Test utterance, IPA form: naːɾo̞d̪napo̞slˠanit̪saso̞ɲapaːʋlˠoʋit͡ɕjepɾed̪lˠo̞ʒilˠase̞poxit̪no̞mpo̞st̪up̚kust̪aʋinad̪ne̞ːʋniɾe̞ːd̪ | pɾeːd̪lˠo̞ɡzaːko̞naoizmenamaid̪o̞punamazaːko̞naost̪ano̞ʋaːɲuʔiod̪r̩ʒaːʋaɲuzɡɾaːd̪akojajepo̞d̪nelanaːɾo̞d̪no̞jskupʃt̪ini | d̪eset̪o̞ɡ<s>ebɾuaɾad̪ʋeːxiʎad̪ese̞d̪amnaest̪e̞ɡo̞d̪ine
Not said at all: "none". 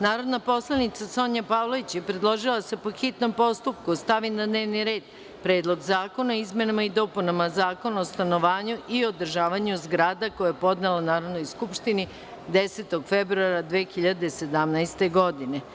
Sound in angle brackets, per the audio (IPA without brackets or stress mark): f